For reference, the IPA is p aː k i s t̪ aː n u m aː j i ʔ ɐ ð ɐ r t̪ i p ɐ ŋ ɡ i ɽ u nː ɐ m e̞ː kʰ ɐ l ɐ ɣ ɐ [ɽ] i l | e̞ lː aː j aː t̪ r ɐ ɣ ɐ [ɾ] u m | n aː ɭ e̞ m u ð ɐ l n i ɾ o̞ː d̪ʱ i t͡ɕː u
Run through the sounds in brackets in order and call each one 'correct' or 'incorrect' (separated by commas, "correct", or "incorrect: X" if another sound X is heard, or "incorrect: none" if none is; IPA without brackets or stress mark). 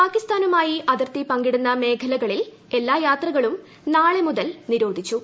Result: incorrect: ɭ, incorrect: ɭ